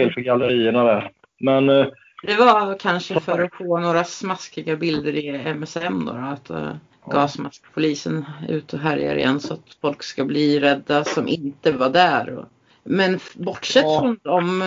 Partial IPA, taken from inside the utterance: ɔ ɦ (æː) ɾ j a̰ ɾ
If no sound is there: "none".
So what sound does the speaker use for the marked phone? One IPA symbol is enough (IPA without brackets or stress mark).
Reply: æ